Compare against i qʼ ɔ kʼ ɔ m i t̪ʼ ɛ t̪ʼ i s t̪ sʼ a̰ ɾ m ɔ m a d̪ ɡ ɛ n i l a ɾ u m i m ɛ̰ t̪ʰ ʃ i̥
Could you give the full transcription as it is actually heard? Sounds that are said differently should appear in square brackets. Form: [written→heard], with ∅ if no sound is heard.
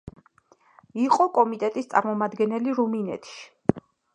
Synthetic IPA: i qʼ ɔ kʼ ɔ m i t̪ʼ ɛ t̪ʼ i s t̪ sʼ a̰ ɾ m ɔ m a d̪ ɡ ɛ n [i→ɛ] l [a→i] ɾ u m i [m→n] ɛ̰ t̪ʰ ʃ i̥